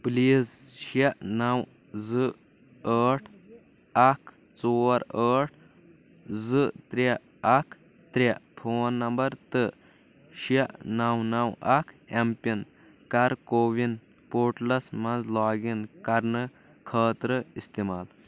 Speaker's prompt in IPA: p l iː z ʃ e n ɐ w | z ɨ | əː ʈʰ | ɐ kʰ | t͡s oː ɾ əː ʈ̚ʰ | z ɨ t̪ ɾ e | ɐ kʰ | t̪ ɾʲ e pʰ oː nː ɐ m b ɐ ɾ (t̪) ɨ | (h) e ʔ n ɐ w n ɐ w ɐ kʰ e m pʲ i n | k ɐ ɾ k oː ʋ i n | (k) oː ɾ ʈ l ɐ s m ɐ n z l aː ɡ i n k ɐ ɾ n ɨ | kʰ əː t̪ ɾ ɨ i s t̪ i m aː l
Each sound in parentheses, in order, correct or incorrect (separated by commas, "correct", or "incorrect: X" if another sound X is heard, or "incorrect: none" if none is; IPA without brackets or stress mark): correct, incorrect: ʃ, incorrect: p